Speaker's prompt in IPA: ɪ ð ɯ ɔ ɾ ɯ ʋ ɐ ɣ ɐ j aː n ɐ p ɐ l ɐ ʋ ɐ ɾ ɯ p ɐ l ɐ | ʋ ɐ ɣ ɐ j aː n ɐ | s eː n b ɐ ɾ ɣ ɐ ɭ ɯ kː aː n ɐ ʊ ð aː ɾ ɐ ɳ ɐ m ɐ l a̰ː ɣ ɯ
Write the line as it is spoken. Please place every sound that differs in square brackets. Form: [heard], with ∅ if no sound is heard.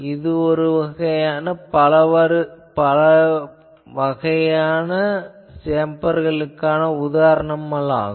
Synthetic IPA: ɪ ð ɯ ɔ ɾ ɯ ʋ ɐ ɣ ɐ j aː n ɐ p ɐ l ɐ ʋ ɐ ɾ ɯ p ɐ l ɐ | ʋ ɐ ɣ ɐ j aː n ɐ | s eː [m] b ɐ ɾ ɣ ɐ ɭ ɯ kː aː n ɐ ʊ ð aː ɾ ɐ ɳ ɐ m ɐ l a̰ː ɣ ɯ